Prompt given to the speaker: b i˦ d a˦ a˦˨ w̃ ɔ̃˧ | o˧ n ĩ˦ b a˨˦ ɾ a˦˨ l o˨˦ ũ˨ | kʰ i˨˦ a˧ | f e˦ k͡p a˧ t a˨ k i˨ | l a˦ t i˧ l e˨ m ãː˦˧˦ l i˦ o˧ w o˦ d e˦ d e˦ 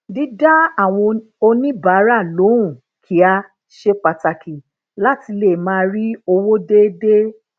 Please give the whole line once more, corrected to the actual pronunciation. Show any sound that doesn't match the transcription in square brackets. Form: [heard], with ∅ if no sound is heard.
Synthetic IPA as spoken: [d] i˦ d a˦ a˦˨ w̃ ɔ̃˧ | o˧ n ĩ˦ b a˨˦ ɾ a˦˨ l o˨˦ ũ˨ | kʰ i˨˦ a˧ | [ʃ] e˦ k͡p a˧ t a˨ k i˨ | l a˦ t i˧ l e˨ m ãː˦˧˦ [ɾ] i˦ o˧ w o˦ d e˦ d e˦